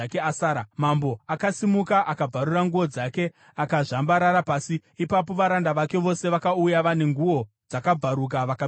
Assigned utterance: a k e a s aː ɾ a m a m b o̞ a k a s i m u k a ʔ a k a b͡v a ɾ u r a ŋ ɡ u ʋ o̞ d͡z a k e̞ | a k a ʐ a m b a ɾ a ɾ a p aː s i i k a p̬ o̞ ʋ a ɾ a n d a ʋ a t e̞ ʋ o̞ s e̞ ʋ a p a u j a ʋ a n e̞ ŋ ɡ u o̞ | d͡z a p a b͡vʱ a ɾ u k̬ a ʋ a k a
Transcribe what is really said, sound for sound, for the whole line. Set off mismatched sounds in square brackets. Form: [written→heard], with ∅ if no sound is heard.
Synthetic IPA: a k e a s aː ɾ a m a m b o̞ a k a s i m u k a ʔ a k a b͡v a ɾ u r a ŋ ɡ u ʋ o̞ d͡z a k e̞ | a k a ʐ a m b a ɾ a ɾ a p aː s i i [k→p] a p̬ o̞ ʋ a ɾ a n d a ʋ a [t→k] e̞ ʋ o̞ s e̞ ʋ a [p→k] a u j a ʋ a n e̞ ŋ ɡ u o̞ | d͡z a [p→k] a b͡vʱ a ɾ u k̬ a ʋ a k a

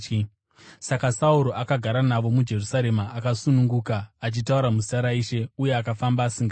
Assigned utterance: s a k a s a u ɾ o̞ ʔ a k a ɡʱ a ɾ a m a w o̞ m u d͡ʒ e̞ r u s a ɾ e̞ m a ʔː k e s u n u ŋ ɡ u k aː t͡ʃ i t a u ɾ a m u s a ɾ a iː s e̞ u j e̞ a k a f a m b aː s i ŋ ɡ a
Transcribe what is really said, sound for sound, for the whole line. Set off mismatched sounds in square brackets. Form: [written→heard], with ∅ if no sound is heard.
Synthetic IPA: s a k a s a u ɾ o̞ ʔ a k a ɡʱ a ɾ a [m→n] a [w→ʋ] o̞ m u d͡ʒ e̞ r u s a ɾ e̞ m a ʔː k [e→a] s u n u ŋ ɡ u k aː t͡ʃ i t a u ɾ a m u s a ɾ a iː [s→ʃ] e̞ u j e̞ a k a f a m b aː s i ŋ ɡ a

